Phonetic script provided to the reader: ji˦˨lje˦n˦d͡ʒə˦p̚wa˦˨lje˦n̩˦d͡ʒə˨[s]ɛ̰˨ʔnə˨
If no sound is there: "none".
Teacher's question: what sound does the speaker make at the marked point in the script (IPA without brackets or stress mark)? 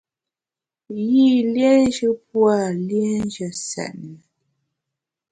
s